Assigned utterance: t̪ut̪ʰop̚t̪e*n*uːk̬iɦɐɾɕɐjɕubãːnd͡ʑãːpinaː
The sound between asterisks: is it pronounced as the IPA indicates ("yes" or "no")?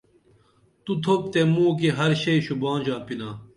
no